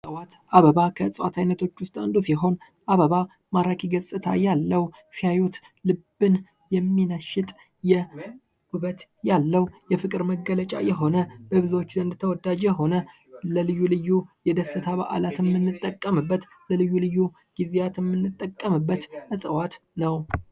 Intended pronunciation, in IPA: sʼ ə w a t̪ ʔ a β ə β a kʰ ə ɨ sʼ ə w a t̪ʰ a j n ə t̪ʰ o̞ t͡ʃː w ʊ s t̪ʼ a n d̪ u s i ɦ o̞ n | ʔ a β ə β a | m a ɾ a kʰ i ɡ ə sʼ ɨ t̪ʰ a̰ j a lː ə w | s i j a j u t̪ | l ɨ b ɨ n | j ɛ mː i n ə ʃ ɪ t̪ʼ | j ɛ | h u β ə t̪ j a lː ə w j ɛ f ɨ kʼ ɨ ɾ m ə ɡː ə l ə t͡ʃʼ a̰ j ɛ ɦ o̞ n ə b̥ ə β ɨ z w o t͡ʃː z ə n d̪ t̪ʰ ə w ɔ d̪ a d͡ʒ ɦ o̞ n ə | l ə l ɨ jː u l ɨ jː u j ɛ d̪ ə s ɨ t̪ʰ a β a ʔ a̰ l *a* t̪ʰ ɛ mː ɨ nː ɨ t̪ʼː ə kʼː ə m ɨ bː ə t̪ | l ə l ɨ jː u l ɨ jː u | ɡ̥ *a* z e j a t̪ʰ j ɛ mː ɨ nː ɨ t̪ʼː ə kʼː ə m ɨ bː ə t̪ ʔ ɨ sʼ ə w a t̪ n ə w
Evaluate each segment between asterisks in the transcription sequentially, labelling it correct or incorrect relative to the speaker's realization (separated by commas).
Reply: correct, incorrect